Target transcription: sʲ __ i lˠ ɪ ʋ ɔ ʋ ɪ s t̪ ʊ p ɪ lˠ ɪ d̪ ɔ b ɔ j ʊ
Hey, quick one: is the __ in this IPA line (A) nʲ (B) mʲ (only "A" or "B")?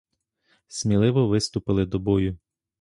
B